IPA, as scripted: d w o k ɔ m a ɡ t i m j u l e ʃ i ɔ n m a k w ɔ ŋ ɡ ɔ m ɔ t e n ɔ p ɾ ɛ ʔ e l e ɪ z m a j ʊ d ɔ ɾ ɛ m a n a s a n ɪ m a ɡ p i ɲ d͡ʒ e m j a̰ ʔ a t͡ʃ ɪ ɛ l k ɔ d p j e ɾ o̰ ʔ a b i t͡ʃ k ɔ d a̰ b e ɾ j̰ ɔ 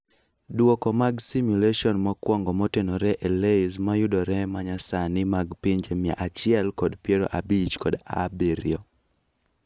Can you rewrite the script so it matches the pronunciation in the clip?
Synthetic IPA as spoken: d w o k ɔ m a ɡ s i m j u l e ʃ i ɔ n m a k w ɔ ŋ ɡ ɔ m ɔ t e n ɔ ɾ ɛ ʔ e l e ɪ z m a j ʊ d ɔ ɾ ɛ m a ɲ a s a n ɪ m a ɡ p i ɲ d͡ʒ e m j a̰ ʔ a t͡ʃ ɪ ɛ l k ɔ d p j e ɾ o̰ ʔ a b i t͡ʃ k ɔ d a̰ b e ɾ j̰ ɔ

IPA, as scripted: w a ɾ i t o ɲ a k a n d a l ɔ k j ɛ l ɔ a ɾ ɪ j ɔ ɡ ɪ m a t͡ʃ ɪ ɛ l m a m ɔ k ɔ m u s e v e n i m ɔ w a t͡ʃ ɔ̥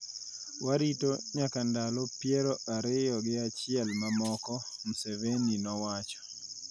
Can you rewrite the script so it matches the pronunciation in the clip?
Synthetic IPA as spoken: w a ɾ i t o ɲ a k a n d a l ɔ p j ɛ ɾ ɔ a ɾ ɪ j ɔ ɡ ɪ a t͡ʃ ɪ ɛ l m a m ɔ k ɔ m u s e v e n i n ɔ w a t͡ʃ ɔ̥

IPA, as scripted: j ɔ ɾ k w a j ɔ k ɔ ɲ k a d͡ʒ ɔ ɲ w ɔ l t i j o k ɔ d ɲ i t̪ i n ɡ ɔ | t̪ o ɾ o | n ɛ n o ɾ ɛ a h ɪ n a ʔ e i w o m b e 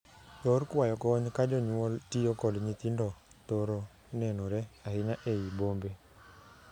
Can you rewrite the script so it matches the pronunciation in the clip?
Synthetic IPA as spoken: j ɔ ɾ k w a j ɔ k ɔ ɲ k a d͡ʒ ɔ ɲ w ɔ l t i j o k ɔ d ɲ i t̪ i n d ɔ | t̪ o ɾ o | n ɛ n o ɾ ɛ a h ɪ n a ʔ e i b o m b e

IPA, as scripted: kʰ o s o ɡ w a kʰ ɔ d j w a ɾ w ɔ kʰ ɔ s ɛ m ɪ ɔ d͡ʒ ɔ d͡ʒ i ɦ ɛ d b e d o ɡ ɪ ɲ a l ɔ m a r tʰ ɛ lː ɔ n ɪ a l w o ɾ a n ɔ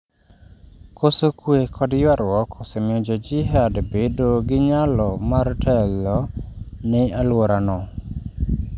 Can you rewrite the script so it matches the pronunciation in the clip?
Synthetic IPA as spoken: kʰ o s o k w e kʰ ɔ d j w a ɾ w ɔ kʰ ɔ s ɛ m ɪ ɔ d͡ʒ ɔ d͡ʒ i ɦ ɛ d b e d o ɡ ɪ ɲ a l ɔ m a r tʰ ɛ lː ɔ n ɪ a l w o ɾ a n ɔ

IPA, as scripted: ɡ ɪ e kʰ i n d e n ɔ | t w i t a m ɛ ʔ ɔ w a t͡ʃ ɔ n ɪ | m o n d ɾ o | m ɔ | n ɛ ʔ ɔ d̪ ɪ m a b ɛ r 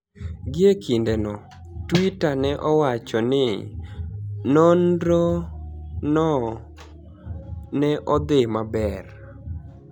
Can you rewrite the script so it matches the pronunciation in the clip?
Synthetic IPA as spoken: ɡ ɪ e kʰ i n d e n ɔ | t w i t a n ɛ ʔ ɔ w a t͡ʃ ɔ n ɪ | n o n d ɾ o | n ɔ | n ɛ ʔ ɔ d̪ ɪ m a b ɛ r

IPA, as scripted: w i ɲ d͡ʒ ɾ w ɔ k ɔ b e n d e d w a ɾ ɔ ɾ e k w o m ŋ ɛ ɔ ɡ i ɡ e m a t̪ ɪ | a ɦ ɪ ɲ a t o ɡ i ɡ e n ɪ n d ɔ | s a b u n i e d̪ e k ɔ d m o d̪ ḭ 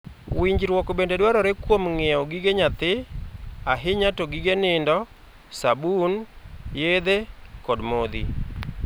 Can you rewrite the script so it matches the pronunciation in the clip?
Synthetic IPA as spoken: w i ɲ d͡ʒ ɾ w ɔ k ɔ b e n d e d w a ɾ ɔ ɾ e k w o m ŋ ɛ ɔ ɡ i ɡ e ɲ a t̪ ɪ | a ɦ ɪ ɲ a t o ɡ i ɡ e n ɪ n d ɔ | s a b u n j e d̪ e k ɔ d m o d̪ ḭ

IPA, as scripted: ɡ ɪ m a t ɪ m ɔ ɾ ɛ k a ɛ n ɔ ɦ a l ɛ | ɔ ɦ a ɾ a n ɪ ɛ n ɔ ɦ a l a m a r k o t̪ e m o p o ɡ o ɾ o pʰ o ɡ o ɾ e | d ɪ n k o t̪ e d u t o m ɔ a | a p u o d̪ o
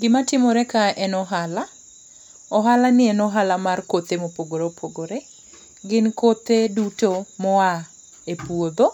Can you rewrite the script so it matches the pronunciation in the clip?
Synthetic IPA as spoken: ɡ ɪ m a t ɪ m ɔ ɾ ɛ k a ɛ n ɔ ɦ a l a | ɔ ɦ a l a n ɪ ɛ n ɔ ɦ a l a m a r k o t̪ e m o p o ɡ o ɾ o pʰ o ɡ o ɾ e | ɡ ɪ n k o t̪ e d u t o m ɔ a | e p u o d̪ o

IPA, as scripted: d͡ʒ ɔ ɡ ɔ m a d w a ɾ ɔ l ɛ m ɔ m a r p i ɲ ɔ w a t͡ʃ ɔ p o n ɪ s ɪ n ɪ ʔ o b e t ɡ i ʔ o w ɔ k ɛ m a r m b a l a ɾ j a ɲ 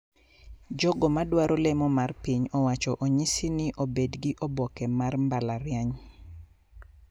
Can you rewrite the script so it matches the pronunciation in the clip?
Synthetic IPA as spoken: d͡ʒ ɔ ɡ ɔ m a d w a ɾ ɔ l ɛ m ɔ m a r p i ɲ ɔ w a t͡ʃ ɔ ʔ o ɲ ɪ s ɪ n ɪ ʔ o b e d ɡ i ʔ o b ɔ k ɛ m a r m b a l a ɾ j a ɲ

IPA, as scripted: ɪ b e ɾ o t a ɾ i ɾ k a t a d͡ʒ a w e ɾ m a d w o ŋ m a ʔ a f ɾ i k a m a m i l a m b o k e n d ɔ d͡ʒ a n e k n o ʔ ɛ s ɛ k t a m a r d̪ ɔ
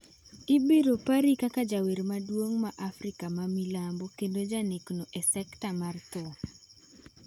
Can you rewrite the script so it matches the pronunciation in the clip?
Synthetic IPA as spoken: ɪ b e ɾ o p a ɾ i k a k a d͡ʒ a w e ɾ m a d w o ŋ m a ʔ a f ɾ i k a m a m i l a m b o k e n d o d͡ʒ a n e k n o ʔ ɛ s ɛ k t a m a r t̪ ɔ

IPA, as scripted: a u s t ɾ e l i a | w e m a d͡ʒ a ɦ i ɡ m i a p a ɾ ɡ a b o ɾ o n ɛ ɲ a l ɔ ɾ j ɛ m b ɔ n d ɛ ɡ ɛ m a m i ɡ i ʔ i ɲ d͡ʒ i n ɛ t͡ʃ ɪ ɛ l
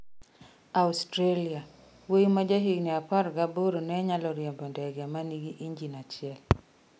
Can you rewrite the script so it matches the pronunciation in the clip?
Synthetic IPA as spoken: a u s t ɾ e l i a | w e m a d͡ʒ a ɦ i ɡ n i a p a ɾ ɡ a b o ɾ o n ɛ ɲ a l ɔ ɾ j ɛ m b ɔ n d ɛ ɡ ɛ m a n i ɡ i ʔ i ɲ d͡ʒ i n a t͡ʃ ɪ ɛ l

